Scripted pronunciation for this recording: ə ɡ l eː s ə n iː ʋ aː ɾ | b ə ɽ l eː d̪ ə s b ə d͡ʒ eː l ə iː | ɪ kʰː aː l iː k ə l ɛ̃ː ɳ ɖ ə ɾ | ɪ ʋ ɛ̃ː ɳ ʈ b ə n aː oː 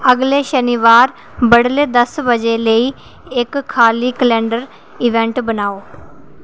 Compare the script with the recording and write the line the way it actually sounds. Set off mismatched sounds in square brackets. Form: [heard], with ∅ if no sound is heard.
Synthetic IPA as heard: ə ɡ l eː [ʃ] ə n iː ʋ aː ɾ | b ə ɽ l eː d̪ ə s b ə d͡ʒ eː l ə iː | ɪ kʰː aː l iː k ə l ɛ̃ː ɳ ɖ ə ɾ | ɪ ʋ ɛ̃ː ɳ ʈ b ə n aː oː